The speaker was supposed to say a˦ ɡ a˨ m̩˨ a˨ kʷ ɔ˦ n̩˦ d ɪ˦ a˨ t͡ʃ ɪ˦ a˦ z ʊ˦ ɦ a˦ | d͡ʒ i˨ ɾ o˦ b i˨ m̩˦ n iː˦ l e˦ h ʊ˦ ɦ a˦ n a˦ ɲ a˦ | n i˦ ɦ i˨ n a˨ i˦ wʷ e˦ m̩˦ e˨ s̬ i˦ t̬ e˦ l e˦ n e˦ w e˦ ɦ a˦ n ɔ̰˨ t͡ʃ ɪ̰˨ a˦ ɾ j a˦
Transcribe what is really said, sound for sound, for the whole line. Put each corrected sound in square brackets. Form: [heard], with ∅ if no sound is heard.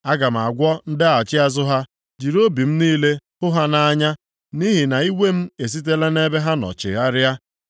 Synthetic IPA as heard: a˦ ɡ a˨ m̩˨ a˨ [ɡʷ] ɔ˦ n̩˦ d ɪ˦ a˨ t͡ʃ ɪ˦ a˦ z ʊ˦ ɦ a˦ | d͡ʒ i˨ ɾ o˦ b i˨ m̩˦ n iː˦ l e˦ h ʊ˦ ɦ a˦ n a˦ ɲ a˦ | n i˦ ɦ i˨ n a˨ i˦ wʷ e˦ m̩˦ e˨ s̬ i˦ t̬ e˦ l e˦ n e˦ [b] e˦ ɦ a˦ n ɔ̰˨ t͡ʃ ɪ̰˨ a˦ ɾ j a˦